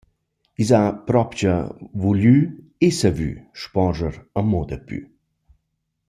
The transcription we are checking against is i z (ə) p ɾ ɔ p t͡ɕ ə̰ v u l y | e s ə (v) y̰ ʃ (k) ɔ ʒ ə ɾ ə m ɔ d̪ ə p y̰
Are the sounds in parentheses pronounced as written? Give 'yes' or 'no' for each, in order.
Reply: no, yes, no

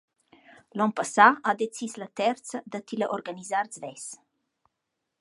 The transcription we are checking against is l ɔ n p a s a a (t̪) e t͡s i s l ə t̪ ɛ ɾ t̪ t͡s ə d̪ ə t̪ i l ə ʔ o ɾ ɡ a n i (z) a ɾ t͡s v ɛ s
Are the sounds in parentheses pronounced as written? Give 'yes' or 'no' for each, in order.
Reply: no, yes

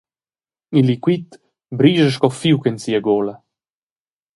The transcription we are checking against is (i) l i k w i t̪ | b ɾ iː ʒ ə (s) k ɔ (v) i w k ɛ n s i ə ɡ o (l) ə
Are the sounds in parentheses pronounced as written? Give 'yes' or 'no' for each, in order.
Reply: yes, no, no, yes

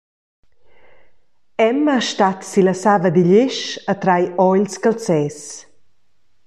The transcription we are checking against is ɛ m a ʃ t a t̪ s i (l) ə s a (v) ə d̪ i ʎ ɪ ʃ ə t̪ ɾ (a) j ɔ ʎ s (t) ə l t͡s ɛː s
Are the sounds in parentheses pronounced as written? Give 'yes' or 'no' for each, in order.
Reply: yes, yes, yes, no

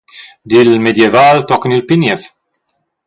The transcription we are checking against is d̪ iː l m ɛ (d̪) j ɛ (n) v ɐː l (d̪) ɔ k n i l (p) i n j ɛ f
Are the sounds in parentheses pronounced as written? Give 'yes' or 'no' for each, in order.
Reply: yes, no, no, yes

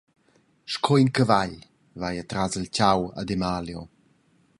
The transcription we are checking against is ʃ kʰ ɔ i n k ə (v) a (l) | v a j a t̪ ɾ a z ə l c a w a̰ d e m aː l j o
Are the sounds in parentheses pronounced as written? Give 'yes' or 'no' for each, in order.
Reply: yes, no

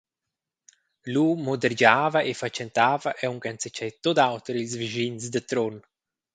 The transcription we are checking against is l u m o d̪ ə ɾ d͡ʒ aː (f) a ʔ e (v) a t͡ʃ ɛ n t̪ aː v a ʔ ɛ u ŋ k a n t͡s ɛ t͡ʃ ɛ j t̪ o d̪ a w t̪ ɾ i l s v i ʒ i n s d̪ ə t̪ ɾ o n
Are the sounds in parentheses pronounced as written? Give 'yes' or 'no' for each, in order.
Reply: no, no

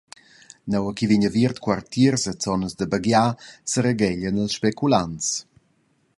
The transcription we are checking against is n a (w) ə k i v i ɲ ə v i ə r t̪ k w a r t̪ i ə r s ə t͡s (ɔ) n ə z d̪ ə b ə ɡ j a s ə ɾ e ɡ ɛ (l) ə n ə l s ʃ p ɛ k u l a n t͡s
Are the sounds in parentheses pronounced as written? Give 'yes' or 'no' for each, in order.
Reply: yes, yes, no

